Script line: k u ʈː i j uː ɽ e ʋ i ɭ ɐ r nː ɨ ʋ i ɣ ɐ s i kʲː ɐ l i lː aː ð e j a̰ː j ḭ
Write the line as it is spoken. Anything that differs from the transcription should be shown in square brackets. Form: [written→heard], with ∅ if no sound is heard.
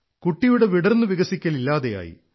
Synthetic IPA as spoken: k u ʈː i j [uː→u] ɽ e ʋ i [ɭ→ɽ] ɐ r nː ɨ ʋ i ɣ ɐ s i kʲː ɐ l i lː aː ð e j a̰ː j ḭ